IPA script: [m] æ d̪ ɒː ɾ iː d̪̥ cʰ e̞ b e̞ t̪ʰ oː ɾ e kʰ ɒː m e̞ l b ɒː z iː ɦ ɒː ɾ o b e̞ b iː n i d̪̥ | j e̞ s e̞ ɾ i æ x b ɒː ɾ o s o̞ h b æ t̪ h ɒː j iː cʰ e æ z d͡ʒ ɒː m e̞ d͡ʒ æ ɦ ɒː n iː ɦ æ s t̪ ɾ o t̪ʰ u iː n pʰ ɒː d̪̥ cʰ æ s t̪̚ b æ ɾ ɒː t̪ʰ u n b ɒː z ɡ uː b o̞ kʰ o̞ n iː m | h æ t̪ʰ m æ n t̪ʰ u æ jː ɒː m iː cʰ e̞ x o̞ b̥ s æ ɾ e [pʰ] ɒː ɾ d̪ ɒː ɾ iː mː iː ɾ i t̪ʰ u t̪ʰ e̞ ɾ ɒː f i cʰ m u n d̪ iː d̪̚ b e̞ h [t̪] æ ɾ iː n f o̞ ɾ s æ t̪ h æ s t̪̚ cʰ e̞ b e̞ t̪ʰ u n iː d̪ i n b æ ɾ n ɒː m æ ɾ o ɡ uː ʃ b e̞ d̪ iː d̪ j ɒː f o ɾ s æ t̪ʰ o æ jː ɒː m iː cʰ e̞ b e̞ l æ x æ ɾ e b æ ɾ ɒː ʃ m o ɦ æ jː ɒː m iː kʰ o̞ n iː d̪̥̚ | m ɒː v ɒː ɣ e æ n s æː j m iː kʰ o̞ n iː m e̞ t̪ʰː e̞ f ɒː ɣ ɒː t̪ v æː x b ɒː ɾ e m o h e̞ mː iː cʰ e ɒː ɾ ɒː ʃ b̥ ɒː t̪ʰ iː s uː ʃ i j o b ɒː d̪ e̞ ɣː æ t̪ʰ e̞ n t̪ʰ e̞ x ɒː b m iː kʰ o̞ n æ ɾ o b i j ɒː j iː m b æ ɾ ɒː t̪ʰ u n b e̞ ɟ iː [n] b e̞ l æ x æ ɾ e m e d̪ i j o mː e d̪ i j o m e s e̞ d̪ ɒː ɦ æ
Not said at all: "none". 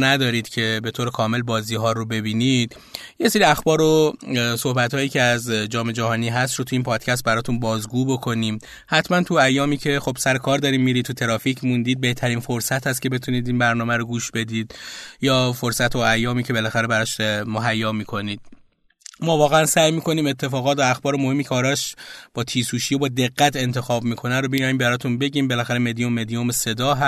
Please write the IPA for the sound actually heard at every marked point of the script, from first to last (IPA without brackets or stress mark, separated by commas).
n, kʰ, t̪ʰ, m